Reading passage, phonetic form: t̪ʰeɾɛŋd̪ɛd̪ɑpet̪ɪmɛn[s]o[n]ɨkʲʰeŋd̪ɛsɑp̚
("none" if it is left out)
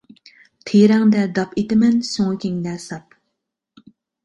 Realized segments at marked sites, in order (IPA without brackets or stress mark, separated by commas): s, ŋ